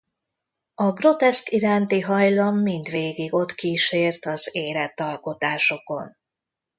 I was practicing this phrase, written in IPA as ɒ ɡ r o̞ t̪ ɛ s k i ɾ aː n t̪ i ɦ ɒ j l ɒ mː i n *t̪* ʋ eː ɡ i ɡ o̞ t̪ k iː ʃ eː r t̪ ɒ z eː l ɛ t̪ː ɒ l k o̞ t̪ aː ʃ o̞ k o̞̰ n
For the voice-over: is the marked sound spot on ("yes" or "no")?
no